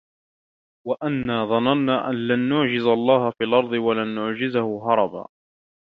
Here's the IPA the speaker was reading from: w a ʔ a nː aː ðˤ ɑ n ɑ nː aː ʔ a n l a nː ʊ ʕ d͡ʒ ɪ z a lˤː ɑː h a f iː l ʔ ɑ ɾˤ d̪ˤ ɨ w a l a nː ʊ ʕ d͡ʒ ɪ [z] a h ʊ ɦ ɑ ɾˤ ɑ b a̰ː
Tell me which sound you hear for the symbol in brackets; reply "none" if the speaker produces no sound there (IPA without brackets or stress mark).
z